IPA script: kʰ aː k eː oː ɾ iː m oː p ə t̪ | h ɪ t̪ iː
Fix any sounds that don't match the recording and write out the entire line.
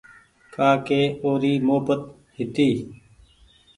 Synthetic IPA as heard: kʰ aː k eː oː ɾ iː m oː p ə t̪ | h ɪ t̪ iː